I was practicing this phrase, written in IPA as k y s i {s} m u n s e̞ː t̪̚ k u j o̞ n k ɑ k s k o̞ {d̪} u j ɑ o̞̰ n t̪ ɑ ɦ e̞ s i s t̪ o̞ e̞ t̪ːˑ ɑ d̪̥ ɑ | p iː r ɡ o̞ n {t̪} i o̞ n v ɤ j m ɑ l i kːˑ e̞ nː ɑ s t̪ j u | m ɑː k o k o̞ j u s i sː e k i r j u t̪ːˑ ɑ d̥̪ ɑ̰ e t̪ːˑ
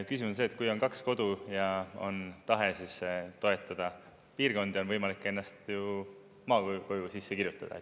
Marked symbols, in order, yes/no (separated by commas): no, yes, no